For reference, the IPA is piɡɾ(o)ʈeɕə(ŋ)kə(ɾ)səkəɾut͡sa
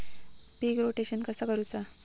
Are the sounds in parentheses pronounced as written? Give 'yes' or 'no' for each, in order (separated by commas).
yes, no, no